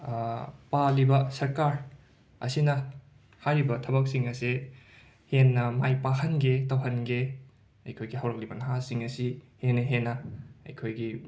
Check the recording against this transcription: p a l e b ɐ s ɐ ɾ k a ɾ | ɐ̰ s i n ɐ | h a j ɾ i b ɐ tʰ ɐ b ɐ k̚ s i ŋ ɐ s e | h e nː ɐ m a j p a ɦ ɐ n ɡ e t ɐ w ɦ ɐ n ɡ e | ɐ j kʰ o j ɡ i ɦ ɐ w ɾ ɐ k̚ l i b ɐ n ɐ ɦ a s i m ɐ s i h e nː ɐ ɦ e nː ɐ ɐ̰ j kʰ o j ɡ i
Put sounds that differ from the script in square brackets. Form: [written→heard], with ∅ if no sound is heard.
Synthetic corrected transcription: p a l [e→i] b ɐ s ɐ ɾ k a ɾ | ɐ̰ s i n ɐ | h a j ɾ i b ɐ tʰ ɐ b ɐ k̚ s i ŋ ɐ s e | h e nː ɐ m a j p a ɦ ɐ n ɡ e t ɐ w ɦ ɐ n ɡ e | ɐ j kʰ o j ɡ i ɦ ɐ w ɾ ɐ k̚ l i b ɐ n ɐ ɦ a s i [m→ŋ] ɐ s i h e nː ɐ ɦ e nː ɐ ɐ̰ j kʰ o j ɡ i